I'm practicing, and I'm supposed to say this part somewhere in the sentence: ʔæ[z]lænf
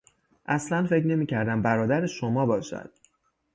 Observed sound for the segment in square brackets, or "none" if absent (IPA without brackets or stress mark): s